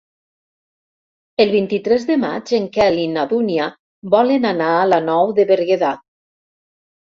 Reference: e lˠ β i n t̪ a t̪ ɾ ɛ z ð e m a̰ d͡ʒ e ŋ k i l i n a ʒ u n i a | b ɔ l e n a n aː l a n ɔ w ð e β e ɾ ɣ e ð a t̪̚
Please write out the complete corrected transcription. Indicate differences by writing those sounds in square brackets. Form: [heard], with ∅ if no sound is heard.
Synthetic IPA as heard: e lˠ β i n t̪ [i] t̪ ɾ ɛ z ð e m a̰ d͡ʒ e ŋ k [ɛ] l i n a [ð] u n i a | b ɔ l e n a n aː l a n ɔ w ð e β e ɾ ɣ e ð a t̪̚